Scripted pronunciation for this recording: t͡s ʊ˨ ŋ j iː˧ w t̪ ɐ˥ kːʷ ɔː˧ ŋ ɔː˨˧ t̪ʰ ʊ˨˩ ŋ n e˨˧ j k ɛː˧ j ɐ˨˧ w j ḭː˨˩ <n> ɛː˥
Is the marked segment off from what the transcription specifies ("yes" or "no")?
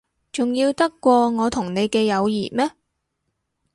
yes